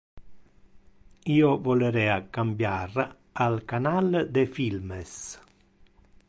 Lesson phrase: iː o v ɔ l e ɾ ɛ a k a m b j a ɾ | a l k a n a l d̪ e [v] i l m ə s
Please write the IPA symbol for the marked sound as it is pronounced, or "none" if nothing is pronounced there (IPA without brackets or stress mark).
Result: f